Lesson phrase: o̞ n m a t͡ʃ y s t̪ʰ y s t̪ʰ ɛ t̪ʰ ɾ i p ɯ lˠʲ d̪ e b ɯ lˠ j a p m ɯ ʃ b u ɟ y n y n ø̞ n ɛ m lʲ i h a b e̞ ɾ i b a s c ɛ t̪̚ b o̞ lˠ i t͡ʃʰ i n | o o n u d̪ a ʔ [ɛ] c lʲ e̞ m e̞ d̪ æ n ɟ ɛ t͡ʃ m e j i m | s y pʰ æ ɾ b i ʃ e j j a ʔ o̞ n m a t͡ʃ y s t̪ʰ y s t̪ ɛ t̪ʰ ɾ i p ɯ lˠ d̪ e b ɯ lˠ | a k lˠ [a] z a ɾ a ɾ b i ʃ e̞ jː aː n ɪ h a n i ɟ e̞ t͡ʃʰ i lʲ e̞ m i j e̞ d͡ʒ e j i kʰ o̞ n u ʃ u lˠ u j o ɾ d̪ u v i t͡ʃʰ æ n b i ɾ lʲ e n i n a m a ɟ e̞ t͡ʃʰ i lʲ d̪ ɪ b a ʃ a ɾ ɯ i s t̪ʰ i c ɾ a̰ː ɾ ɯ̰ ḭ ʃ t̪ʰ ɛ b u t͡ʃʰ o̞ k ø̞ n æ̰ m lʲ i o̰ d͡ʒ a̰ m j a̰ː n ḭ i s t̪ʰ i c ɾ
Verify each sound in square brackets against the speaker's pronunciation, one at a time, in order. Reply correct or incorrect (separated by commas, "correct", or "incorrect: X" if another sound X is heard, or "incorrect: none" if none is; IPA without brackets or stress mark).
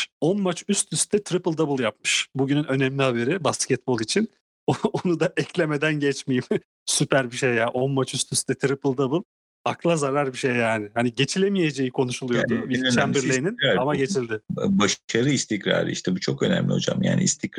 correct, correct